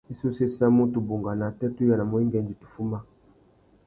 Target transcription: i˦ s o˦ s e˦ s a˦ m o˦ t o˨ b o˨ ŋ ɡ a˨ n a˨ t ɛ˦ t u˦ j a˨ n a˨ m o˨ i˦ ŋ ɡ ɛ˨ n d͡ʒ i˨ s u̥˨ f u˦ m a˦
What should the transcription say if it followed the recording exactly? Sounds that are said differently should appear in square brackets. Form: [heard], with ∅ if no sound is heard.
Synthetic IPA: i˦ s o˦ s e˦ s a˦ m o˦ t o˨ b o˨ ŋ ɡ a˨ n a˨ t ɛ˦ t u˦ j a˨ n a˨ m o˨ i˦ ŋ ɡ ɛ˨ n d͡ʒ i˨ [t] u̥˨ f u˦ m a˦

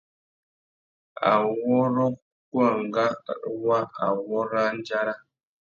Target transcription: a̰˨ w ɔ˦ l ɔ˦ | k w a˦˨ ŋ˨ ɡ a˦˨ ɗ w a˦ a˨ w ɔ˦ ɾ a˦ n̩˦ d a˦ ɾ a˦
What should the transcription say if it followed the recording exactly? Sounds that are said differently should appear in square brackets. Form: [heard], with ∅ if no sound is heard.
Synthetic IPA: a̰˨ w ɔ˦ [ɾ] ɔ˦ | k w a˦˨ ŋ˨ ɡ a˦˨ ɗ w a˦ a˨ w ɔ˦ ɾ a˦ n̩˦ [d͡ʒ] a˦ ɾ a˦

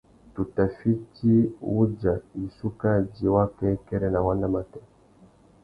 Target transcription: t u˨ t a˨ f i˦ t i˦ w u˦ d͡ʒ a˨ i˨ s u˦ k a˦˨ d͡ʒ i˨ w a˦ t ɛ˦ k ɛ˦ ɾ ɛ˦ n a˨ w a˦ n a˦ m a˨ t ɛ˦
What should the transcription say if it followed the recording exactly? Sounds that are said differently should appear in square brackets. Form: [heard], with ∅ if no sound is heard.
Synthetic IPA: t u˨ t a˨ f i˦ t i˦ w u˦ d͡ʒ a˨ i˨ s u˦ k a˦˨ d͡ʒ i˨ w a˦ [k] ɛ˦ k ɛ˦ ɾ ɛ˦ n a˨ w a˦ n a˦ m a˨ t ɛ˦

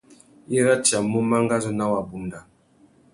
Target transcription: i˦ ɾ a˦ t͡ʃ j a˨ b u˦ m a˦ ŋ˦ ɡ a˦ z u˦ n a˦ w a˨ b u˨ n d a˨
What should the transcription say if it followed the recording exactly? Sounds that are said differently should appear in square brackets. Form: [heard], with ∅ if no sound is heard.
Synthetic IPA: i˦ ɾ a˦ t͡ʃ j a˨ [m] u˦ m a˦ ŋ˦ ɡ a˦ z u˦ n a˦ w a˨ b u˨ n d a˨

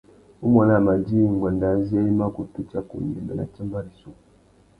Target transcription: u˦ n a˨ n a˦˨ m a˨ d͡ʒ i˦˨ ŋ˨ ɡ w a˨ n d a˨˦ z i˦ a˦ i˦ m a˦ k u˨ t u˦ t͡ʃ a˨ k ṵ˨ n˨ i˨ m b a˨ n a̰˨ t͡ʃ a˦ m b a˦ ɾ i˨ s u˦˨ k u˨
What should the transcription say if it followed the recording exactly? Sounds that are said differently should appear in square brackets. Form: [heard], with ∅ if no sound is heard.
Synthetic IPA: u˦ [m] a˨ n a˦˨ m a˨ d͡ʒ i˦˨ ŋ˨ ɡ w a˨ n d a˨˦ z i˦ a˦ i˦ m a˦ k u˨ t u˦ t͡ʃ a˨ k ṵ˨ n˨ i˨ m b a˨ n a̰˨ t͡ʃ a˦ m b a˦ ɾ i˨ s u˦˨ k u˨

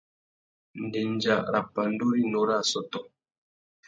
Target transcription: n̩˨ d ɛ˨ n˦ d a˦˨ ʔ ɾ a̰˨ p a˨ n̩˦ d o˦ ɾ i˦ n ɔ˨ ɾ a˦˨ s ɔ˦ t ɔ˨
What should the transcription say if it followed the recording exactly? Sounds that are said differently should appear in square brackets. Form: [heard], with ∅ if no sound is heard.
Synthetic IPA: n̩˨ d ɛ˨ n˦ [d͡ʒ] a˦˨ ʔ ɾ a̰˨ p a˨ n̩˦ d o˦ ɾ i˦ n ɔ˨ ɾ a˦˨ s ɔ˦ t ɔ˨

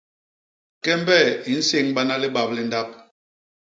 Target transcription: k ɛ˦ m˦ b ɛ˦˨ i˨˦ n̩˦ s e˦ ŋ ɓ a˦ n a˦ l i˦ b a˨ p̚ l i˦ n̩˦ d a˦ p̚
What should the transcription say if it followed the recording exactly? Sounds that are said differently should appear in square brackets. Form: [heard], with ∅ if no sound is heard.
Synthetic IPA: k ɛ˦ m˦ b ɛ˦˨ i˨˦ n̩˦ s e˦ ŋ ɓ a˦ n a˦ l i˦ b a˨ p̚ l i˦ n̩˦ d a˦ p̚

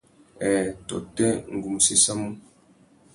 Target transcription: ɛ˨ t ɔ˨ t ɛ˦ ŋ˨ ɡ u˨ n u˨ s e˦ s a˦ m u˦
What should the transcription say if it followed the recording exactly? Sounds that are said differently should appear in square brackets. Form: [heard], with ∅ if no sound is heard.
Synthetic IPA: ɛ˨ t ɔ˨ t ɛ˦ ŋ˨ ɡ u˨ [m] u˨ s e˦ s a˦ m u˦

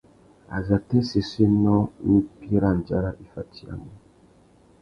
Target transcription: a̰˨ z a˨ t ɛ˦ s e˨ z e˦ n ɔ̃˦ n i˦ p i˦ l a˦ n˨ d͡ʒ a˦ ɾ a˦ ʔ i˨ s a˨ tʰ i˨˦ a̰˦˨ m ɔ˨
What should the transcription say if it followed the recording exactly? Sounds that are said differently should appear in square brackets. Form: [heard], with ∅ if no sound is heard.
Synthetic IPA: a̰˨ z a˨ t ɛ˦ s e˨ [s] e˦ n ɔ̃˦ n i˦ p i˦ [ɾ] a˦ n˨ d͡ʒ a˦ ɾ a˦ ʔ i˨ [f] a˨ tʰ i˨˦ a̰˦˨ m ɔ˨

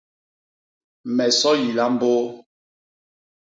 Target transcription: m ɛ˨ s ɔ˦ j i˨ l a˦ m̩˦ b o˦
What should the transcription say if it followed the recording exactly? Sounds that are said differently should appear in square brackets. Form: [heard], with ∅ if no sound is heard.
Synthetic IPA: m ɛ˨ s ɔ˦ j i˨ l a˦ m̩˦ b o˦

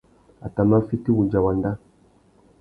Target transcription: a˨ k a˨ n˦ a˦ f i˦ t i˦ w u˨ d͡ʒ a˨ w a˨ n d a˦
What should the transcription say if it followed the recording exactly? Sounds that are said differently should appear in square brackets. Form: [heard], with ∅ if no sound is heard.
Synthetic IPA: a˨ [t] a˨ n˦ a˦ f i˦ t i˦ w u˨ d͡ʒ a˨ w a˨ n d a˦

